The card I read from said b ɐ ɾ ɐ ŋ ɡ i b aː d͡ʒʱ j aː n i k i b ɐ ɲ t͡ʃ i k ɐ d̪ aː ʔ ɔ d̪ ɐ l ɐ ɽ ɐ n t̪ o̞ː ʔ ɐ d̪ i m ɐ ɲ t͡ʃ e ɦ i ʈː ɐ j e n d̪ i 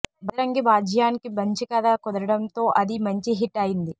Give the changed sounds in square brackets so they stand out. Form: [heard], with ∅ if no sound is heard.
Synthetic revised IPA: b ɐ ɾ ɐ ŋ ɡ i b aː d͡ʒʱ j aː n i k i b ɐ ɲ t͡ʃ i k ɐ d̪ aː [k] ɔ d̪ ɐ [ɾ] ɐ ɽ ɐ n t̪ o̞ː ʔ ɐ d̪ i m ɐ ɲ t͡ʃ [i] ɦ i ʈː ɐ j [i] n d̪ i